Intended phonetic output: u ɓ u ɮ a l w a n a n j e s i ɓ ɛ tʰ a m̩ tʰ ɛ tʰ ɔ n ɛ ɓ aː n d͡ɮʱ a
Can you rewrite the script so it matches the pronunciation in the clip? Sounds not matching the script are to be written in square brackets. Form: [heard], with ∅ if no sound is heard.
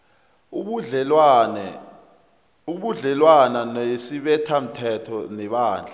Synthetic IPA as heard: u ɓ u ɮ [ɛ] l w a n a n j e s i ɓ ɛ tʰ a m̩ tʰ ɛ tʰ ɔ n ɛ ɓ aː n d͡ɮʱ a